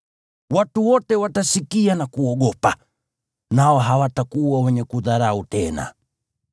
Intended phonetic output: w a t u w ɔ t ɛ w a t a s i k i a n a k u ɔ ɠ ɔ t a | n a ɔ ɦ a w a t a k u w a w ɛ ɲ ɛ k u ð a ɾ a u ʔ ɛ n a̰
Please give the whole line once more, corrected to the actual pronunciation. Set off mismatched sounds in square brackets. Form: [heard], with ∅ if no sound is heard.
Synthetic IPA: w a t u w ɔ t ɛ w a t a s i k i a n a k u ɔ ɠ ɔ [p] a | n a ɔ ɦ a w a t a k u w a w ɛ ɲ ɛ k u ð a ɾ a u [t] ɛ n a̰